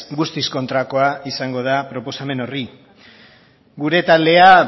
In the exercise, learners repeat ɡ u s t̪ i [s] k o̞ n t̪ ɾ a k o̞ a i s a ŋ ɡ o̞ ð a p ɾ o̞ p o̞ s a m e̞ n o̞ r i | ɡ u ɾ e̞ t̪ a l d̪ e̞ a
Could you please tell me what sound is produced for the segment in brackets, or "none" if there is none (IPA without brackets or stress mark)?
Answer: s